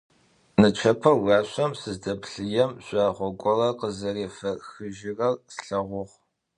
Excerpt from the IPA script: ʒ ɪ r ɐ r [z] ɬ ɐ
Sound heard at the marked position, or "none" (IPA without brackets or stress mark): s